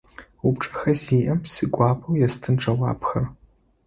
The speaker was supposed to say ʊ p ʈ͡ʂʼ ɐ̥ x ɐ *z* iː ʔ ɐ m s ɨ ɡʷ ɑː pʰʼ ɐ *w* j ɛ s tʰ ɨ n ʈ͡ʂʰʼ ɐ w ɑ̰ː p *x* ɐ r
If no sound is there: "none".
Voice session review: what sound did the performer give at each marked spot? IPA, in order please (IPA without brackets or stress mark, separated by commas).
z, w, x